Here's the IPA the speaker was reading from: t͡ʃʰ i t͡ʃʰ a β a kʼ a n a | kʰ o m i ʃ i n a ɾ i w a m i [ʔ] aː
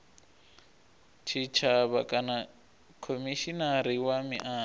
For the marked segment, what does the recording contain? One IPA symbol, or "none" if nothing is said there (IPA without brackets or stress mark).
ʔ